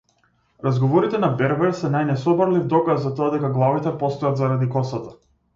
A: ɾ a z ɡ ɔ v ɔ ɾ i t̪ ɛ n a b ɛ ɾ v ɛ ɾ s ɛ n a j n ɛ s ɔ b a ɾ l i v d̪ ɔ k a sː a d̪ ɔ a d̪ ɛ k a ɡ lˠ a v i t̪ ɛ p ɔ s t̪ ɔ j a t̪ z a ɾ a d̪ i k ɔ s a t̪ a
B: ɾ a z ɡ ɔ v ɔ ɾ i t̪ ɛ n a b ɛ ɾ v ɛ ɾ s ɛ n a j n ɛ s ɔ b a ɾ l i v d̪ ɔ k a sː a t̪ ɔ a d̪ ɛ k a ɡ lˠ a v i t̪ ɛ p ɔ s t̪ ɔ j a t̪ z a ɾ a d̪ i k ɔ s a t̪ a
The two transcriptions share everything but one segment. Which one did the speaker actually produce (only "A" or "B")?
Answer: B